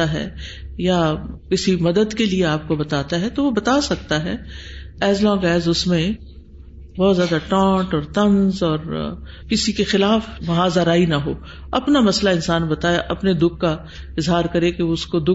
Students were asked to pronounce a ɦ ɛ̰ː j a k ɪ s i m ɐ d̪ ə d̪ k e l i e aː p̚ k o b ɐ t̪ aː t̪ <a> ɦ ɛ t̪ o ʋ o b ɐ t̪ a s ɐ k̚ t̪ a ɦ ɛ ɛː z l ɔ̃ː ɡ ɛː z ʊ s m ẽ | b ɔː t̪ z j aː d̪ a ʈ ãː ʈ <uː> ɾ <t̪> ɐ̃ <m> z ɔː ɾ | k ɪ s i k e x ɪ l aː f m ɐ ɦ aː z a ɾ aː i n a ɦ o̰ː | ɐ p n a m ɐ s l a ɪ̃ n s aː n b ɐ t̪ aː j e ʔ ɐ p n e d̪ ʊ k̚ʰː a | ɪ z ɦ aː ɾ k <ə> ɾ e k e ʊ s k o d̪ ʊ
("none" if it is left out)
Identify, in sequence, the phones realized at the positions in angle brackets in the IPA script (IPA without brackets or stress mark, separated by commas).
a, ɔː, t̪, n, ɐ